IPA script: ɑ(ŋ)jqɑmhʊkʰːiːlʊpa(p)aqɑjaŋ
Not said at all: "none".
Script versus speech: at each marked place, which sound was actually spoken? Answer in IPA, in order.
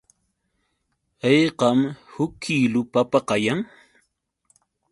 none, p

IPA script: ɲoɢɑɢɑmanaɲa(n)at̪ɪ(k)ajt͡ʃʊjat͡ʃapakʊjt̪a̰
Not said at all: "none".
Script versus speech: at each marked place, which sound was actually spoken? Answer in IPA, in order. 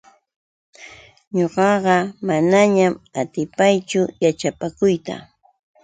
m, p

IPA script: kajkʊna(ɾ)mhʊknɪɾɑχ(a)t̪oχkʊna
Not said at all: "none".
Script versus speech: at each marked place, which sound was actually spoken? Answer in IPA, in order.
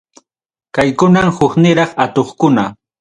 none, a

